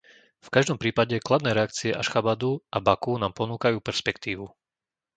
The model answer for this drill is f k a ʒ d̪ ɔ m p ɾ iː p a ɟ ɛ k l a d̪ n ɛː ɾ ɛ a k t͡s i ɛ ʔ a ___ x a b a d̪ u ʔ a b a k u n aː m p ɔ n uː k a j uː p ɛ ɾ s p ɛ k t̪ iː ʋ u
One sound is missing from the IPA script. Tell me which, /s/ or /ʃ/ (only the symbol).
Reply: ʃ